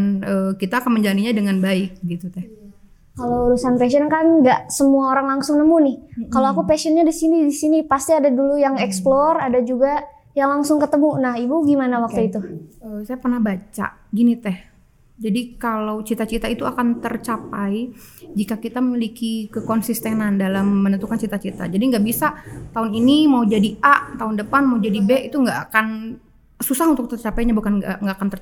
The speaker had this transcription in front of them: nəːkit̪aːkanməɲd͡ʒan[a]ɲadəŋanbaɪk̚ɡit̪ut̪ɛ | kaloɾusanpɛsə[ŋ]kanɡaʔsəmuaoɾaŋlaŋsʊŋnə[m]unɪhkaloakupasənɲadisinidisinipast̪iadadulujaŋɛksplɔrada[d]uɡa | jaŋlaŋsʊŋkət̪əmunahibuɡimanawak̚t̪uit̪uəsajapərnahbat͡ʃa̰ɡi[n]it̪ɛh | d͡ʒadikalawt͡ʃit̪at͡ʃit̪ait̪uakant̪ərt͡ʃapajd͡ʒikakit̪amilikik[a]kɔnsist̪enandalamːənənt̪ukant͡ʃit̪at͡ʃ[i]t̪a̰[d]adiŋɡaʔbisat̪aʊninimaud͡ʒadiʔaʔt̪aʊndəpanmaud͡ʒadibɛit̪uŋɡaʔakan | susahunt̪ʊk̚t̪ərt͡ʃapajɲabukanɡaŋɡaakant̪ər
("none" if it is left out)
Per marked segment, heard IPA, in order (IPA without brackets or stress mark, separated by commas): i, n, m, d͡ʒ, n, ə, i, d͡ʒ